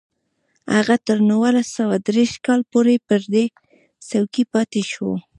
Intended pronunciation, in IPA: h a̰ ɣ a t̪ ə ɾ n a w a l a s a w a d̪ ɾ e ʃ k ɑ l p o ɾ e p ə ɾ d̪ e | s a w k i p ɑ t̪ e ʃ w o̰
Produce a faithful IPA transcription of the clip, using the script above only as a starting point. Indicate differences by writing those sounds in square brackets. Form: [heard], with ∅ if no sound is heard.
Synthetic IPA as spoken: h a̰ ɣ a t̪ ə ɾ n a w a l a s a w a d̪ ɾ e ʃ k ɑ l p o ɾ e p ə ɾ d̪ e | s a w k i p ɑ t̪ e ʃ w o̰